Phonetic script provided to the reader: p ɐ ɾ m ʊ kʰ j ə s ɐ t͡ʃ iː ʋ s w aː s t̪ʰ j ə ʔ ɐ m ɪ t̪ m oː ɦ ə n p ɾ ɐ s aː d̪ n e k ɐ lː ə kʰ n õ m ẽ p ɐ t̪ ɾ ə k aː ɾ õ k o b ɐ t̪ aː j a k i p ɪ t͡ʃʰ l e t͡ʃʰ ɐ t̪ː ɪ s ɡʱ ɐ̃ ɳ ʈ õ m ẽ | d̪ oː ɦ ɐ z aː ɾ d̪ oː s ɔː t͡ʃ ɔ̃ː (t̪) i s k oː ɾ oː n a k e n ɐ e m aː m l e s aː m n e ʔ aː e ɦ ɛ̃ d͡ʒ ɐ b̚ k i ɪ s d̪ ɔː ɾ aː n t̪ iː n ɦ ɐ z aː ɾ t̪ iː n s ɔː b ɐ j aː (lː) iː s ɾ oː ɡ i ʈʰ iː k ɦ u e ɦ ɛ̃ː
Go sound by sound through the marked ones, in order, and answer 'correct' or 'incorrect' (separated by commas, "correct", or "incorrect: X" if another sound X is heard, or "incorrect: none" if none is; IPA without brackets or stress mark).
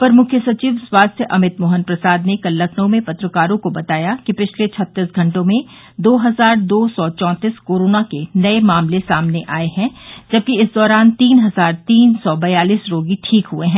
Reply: correct, incorrect: l